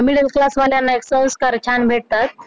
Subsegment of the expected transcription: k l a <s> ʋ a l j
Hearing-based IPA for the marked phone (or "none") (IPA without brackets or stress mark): s